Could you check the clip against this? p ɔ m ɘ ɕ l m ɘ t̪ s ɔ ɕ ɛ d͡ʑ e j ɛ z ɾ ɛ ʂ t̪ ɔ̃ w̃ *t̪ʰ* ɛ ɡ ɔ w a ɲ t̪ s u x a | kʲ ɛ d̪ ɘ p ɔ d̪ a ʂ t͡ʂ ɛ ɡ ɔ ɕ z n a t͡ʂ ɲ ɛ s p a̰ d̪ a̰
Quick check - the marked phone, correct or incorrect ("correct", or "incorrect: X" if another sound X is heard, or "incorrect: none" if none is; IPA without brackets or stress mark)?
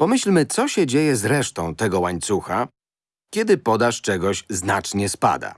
incorrect: t̪